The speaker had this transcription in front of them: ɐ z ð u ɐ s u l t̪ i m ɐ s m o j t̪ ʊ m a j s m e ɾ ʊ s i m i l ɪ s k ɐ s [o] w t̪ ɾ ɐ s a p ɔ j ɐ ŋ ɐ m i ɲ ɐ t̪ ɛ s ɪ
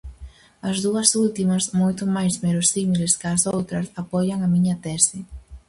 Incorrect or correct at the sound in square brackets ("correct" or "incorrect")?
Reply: correct